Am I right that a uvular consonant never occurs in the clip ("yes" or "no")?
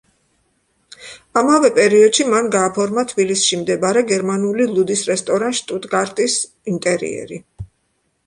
yes